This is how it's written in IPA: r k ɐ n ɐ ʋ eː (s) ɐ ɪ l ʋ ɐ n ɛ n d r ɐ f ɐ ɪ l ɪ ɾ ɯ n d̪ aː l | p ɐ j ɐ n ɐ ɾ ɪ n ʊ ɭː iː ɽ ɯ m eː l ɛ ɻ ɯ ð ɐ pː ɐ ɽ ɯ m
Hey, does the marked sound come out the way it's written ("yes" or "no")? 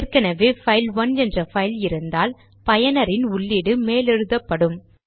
no